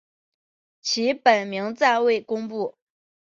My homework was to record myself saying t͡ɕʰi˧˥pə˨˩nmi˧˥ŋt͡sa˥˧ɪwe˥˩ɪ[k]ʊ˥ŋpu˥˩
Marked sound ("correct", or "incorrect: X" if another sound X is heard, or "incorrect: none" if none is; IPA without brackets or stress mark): correct